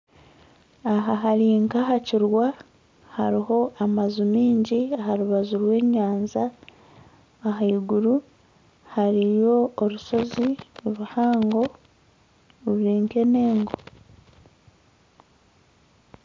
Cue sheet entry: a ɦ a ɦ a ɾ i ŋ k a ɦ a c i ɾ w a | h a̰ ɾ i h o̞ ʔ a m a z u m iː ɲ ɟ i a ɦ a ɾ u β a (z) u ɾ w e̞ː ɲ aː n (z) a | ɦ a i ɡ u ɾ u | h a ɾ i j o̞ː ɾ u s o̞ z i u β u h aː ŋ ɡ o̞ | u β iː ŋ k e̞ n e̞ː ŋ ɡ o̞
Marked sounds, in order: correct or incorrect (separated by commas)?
correct, correct